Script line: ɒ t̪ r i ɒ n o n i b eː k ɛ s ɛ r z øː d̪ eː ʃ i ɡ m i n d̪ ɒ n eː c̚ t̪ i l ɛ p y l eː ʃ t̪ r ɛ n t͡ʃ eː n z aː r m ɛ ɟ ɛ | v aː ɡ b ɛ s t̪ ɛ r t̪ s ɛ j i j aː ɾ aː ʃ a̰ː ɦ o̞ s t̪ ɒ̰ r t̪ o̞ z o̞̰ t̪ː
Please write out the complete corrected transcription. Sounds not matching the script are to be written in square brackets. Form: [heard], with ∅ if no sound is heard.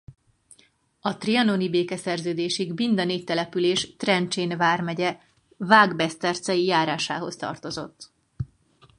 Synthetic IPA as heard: ɒ t̪ r i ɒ n o n i b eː k ɛ s ɛ r z øː d̪ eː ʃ i ɡ m i n d̪ ɒ n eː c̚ t̪ [ɛ] l ɛ p y l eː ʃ t̪ r ɛ n t͡ʃ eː n [v] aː r m ɛ ɟ ɛ | v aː ɡ b ɛ s t̪ ɛ r t̪ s ɛ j i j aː ɾ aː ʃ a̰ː ɦ o̞ s t̪ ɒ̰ r t̪ o̞ z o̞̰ t̪ː